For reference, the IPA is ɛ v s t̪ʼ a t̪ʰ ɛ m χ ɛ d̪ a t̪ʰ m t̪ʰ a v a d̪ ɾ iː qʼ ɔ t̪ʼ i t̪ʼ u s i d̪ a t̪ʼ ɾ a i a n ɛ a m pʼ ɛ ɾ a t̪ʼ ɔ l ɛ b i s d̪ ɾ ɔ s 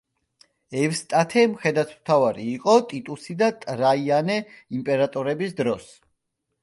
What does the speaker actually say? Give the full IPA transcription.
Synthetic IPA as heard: ɛ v s t̪ʼ a t̪ʰ ɛ m χ ɛ d̪ a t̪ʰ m t̪ʰ a v a ɾ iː qʼ ɔ t̪ʼ i t̪ʼ u s i d̪ a t̪ʼ ɾ a i a n ɛ i m pʼ ɛ ɾ a t̪ʼ ɔ ɾ ɛ b i s d̪ ɾ ɔ s